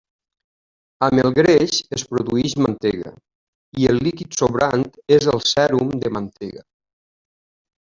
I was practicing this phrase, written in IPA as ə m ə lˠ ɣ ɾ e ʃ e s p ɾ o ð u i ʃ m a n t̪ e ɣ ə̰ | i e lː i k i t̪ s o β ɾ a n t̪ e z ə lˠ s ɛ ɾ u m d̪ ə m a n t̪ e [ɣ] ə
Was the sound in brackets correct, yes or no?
yes